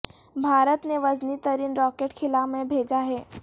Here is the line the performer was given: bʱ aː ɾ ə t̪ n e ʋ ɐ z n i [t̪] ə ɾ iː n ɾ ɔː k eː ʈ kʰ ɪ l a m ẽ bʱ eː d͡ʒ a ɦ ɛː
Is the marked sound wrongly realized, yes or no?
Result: no